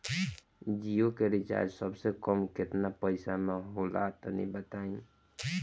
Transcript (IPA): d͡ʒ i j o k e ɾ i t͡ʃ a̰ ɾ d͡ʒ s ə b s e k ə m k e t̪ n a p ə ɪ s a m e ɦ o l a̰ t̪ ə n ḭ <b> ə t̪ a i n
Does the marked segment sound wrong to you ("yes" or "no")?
no